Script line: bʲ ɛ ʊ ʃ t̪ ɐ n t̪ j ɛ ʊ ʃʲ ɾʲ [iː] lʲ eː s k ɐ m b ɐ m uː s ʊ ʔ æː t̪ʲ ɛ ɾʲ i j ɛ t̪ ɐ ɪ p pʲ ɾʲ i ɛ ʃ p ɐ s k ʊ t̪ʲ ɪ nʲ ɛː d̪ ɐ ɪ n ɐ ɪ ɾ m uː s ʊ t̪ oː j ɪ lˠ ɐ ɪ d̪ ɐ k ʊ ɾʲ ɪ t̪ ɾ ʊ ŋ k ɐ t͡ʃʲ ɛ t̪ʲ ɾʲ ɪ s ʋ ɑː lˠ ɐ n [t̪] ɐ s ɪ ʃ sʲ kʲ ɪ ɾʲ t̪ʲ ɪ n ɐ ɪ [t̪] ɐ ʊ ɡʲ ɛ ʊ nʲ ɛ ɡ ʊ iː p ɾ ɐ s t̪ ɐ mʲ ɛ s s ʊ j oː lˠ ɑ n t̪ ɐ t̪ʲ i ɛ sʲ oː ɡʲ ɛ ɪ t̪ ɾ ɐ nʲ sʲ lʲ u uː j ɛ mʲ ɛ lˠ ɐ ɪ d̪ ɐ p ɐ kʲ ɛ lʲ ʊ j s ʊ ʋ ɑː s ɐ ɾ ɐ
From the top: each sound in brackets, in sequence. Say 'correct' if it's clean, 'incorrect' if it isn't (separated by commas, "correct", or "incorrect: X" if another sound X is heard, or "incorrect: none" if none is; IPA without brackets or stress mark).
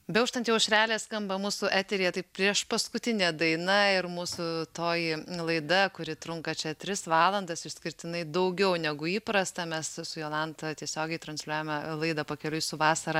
incorrect: æː, incorrect: d̪, incorrect: d̪